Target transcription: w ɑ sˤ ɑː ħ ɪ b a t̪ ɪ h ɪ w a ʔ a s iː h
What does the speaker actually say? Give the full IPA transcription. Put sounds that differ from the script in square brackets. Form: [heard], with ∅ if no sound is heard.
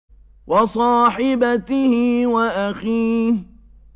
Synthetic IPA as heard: w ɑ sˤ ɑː ħ ɪ b a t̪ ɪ h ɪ w a ʔ a [x] iː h